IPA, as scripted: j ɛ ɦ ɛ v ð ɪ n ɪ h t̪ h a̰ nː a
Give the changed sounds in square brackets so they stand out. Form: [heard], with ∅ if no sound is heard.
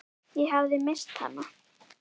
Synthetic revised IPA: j ɛ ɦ [a] v ð ɪ [m] ɪ [s] t̪ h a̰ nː a